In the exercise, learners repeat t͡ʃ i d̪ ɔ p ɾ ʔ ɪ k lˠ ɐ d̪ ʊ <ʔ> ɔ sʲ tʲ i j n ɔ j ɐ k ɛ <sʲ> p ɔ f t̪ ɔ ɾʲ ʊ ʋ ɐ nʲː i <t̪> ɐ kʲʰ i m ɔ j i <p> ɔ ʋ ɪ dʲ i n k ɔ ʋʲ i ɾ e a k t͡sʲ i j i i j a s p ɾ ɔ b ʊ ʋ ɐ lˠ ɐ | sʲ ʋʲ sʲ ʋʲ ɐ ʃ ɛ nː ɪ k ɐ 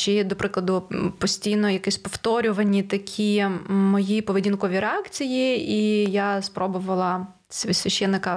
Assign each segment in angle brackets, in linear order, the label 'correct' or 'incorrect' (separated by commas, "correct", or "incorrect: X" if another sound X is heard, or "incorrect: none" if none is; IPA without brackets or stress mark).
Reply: incorrect: p, correct, correct, correct